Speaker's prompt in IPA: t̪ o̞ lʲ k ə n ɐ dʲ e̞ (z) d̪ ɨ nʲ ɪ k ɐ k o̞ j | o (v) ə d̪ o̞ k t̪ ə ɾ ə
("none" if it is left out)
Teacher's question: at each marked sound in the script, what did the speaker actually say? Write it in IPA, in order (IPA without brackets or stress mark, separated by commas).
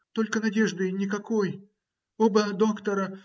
ʐ, b